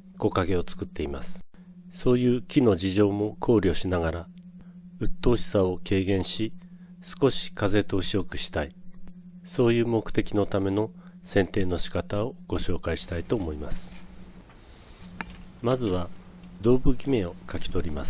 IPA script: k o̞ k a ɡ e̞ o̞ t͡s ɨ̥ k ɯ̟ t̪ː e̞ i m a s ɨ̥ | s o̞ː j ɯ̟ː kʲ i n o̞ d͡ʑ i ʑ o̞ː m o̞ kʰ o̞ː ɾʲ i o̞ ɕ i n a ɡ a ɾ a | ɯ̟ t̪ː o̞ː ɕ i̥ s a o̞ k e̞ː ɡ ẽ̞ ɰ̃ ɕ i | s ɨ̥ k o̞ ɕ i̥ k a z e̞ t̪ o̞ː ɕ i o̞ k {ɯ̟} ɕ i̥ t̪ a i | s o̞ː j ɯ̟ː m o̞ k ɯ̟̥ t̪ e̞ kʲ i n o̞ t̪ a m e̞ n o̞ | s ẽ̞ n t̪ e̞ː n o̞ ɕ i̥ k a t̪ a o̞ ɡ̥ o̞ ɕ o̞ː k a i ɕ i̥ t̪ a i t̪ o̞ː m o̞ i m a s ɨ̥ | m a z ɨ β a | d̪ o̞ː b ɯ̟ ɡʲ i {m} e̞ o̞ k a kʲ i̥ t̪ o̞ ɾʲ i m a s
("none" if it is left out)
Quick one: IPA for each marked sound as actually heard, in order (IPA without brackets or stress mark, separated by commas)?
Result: ɯ̟, m